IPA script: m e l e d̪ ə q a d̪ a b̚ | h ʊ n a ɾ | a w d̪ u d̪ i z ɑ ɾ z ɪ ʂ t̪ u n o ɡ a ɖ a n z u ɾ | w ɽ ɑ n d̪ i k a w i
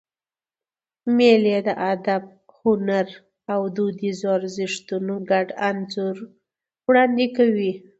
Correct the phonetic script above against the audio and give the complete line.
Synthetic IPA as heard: m e l e d̪ ə ʔ a d̪ a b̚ | h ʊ n a ɾ | a w d̪ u d̪ i z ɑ ɾ z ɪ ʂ t̪ u n o ɡ a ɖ a n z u ɾ | w ɽ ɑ n d̪ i k a w i